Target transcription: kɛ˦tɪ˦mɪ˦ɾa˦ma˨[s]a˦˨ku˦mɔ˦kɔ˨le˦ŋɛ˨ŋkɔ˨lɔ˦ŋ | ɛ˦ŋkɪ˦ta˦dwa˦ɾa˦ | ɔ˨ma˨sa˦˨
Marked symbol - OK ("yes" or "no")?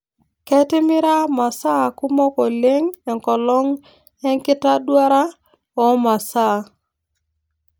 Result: yes